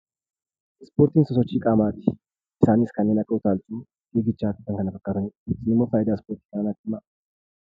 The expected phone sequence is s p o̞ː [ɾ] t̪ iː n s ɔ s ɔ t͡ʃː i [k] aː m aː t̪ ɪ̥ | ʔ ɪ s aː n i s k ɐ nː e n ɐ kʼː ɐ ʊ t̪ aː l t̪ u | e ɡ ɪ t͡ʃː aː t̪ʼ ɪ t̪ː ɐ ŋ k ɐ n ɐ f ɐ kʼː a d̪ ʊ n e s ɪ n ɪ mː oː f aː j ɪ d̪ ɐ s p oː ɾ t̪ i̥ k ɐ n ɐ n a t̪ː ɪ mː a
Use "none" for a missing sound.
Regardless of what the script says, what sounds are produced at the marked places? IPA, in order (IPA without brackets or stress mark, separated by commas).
ɾ, kʼ